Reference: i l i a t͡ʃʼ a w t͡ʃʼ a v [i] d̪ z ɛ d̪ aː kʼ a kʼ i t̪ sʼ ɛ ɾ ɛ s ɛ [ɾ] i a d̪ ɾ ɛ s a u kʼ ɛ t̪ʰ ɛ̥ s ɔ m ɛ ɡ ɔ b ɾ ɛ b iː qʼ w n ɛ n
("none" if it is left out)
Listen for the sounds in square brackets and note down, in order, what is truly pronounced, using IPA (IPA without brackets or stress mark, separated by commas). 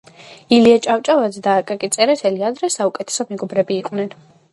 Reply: a, l